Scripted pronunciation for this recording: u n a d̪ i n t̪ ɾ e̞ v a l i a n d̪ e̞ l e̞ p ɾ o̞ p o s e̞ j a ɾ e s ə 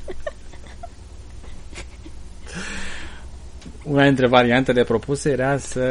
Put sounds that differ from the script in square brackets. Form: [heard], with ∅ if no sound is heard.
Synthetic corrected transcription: u n a d̪ i n t̪ ɾ e̞ v a [ɾ] i a n [t̪] e̞ l e̞ p ɾ o̞ p [u] s e̞ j [e] ɾ [a] s ə